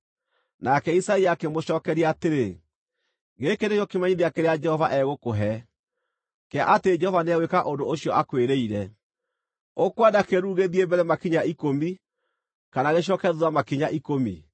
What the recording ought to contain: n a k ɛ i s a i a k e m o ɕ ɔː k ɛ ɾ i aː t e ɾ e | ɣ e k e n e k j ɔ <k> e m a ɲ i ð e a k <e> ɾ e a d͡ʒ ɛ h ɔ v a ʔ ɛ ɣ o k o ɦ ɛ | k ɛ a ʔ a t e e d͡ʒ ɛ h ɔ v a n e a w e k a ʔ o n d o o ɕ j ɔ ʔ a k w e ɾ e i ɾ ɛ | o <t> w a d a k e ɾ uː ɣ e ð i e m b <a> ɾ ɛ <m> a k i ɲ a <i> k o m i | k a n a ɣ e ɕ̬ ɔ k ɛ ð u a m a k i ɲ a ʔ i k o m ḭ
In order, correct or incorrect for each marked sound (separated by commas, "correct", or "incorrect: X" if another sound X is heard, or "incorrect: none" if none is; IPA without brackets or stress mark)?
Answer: correct, correct, incorrect: k, incorrect: ɛ, correct, correct